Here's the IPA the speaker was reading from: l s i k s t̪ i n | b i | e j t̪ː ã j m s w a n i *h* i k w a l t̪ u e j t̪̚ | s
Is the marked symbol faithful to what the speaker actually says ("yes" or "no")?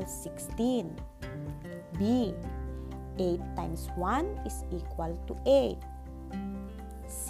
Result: no